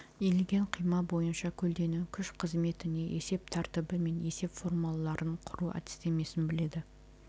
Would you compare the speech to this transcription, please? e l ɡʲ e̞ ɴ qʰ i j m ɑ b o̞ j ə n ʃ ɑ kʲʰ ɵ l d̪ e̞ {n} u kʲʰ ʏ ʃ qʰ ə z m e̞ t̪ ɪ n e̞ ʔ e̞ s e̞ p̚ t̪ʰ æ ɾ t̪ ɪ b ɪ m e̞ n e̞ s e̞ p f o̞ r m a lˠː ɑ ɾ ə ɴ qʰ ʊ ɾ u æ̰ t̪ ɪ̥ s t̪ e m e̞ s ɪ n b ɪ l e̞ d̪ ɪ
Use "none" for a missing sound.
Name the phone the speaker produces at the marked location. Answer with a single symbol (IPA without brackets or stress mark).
n